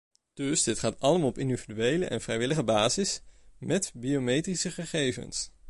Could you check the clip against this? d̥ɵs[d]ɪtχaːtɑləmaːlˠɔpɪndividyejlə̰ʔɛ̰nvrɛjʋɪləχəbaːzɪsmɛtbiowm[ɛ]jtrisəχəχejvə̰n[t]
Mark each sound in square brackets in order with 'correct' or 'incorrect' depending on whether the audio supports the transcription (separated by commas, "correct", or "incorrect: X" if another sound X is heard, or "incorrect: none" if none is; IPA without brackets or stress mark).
correct, incorrect: e, incorrect: s